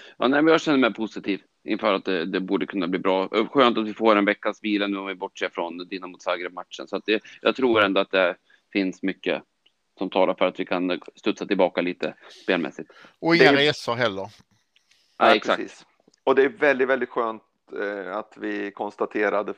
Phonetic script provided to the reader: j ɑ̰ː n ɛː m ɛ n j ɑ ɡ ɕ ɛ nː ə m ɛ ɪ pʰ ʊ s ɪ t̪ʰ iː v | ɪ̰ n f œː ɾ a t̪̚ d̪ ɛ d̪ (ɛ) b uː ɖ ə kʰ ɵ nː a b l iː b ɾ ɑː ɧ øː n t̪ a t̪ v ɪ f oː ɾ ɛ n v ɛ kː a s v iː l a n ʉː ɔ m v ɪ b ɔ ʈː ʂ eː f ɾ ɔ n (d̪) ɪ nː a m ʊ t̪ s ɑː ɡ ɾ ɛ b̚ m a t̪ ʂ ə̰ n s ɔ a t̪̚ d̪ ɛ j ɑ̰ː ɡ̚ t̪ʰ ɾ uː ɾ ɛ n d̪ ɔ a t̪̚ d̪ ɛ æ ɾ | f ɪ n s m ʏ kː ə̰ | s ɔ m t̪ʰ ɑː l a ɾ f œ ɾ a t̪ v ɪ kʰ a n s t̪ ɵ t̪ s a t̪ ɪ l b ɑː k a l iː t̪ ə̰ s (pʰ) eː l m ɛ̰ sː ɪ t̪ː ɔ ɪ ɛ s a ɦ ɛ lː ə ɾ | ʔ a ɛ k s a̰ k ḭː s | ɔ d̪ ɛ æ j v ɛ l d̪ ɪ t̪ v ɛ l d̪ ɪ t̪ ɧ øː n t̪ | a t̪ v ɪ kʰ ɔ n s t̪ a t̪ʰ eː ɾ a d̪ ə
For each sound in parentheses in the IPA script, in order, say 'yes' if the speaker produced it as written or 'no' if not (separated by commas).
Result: yes, yes, no